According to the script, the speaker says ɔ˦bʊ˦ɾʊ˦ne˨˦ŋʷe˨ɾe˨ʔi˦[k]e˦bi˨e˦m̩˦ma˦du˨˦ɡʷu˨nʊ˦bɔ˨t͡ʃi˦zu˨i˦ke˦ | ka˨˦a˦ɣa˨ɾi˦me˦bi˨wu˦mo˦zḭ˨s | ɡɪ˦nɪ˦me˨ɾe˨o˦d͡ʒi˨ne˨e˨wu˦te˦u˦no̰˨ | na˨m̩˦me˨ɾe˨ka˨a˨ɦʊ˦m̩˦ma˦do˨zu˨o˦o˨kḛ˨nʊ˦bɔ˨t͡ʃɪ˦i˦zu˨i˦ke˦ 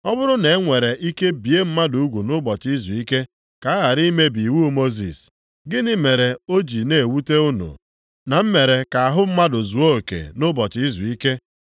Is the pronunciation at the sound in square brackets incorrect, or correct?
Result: correct